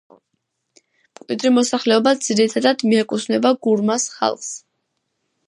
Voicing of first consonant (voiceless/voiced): voiced